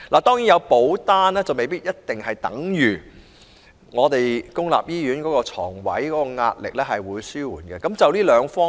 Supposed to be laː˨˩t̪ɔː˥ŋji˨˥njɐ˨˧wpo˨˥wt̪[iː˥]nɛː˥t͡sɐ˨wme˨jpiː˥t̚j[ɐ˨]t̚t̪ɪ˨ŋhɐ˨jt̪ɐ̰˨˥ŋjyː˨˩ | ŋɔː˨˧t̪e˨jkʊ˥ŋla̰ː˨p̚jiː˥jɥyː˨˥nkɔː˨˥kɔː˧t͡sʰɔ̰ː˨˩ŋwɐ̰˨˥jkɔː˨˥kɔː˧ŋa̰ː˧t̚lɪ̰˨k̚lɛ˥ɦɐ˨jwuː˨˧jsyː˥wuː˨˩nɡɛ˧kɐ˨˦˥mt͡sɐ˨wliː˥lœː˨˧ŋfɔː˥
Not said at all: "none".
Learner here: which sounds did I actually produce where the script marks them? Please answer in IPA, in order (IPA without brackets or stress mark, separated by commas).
aː˥, ɐ˥